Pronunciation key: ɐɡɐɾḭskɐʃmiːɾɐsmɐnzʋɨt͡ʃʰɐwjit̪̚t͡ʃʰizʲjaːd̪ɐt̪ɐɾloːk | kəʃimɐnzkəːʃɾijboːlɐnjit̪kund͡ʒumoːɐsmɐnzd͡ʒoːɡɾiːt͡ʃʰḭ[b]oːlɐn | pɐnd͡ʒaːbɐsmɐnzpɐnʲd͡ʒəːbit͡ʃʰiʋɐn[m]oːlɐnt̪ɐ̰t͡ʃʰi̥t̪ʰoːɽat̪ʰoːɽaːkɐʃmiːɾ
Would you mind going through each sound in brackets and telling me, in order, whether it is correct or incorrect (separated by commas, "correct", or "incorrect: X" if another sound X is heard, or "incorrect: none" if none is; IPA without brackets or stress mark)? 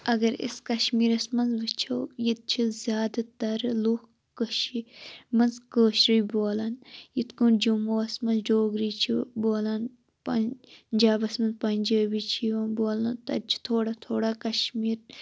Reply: correct, incorrect: b